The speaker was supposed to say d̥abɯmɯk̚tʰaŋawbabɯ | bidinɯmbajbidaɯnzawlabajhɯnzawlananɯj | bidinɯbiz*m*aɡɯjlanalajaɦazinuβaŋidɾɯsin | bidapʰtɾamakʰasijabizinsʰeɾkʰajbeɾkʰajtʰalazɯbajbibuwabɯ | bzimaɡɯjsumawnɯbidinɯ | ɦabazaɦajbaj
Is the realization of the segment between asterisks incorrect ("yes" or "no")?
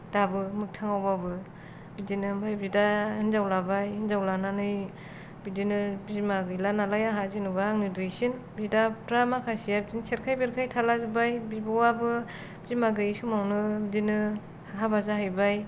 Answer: no